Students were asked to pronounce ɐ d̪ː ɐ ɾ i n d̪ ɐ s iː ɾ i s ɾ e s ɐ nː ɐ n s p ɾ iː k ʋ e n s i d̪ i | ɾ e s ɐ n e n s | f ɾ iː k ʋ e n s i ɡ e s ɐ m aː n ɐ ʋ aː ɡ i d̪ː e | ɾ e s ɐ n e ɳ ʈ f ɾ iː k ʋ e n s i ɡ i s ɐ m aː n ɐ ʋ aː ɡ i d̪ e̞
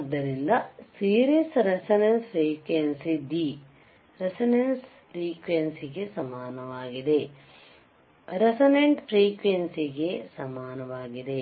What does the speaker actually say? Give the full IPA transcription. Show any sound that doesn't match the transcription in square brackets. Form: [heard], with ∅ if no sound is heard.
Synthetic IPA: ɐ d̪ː ɐ ɾ i n d̪ ɐ s iː ɾ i s ɾ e s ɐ [n] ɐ n s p ɾ iː k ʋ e n s i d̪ i | ɾ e s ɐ n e n s | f ɾ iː k ʋ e n s i ɡ e s ɐ m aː n ɐ ʋ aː ɡ i [d̪] e | ɾ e s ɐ n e ɳ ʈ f ɾ iː k ʋ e n s i ɡ [e] s ɐ m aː n ɐ ʋ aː ɡ i d̪ e̞